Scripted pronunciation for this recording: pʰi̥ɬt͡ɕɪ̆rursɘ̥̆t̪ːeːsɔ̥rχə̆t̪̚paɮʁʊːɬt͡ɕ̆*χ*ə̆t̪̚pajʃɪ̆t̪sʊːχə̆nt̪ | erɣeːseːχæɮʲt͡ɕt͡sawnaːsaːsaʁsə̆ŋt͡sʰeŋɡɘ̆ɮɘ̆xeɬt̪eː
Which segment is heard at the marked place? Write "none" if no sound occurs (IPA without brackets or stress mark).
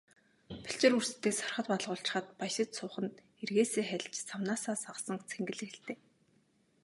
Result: χ